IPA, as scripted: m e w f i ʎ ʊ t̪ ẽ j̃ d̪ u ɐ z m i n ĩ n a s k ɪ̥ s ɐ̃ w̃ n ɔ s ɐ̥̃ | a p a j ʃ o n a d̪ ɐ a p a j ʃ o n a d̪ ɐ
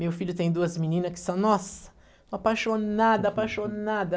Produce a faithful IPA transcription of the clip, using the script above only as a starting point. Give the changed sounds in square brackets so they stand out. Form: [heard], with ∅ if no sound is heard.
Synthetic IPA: m e w f i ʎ ʊ t̪ ẽ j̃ d̪ u ɐ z m i n ĩ n [ɐ] s k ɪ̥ s ɐ̃ w̃ n ɔ s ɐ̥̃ | a p a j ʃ o n a d̪ ɐ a p a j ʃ o n a d̪ ɐ